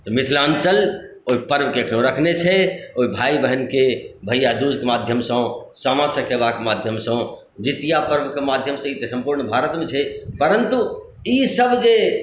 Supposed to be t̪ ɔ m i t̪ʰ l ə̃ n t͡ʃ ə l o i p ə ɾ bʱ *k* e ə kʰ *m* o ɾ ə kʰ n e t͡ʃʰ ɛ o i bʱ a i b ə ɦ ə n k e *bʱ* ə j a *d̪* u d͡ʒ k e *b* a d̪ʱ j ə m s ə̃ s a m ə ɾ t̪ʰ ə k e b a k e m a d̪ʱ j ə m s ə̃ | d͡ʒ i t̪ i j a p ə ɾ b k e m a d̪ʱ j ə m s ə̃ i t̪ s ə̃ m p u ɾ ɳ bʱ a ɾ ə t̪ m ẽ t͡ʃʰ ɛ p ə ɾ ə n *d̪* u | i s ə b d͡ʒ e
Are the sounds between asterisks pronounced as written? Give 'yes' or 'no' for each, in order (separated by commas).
yes, no, yes, yes, no, no